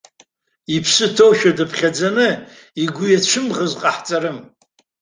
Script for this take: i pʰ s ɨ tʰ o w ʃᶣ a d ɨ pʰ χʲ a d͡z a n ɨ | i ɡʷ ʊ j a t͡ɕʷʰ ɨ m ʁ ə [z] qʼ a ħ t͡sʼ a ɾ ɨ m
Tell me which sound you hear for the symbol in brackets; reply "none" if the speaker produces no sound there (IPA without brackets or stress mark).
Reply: z